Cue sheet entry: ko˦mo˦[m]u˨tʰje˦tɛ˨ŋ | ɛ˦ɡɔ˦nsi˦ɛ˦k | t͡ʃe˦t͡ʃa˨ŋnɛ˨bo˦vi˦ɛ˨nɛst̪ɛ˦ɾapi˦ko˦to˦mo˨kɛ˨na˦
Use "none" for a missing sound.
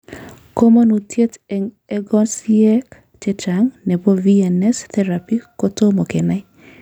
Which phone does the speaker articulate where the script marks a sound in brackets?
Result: n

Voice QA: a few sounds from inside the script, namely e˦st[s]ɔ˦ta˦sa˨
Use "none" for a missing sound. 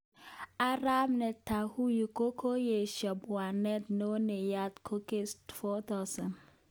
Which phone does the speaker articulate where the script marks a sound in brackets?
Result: f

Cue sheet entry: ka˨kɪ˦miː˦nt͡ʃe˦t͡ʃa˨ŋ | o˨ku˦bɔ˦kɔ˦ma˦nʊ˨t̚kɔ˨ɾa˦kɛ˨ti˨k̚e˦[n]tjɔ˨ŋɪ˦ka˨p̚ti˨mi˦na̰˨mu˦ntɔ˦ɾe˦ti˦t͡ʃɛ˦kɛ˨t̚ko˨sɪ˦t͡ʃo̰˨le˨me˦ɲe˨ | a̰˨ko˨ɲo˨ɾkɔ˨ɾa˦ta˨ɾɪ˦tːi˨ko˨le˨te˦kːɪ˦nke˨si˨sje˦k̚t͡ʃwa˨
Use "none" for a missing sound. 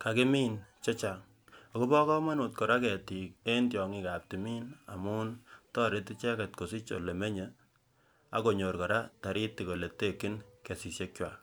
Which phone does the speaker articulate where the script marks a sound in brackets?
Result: n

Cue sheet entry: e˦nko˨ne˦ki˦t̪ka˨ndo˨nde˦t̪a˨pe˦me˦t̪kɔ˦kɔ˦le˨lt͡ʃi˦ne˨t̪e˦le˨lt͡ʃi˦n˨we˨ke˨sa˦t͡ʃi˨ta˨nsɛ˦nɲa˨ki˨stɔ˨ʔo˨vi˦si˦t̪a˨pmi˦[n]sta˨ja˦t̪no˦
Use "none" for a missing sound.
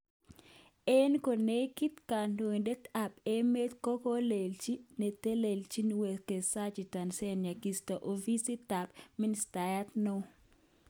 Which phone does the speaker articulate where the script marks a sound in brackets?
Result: n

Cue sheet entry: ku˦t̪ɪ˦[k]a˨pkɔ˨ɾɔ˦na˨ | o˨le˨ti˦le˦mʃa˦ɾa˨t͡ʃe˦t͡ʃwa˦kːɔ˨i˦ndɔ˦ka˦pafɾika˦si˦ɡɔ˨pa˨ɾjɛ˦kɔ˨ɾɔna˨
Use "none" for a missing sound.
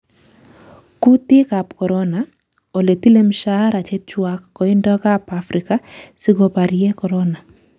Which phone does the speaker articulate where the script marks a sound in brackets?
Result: k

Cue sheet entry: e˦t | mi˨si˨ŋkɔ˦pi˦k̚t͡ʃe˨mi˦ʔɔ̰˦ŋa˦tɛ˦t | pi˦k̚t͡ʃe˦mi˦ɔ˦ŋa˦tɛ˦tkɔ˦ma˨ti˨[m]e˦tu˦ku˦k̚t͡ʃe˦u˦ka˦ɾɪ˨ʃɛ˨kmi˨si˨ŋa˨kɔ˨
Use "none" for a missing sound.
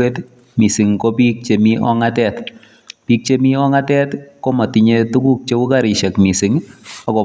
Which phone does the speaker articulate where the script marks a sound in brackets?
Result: ɲ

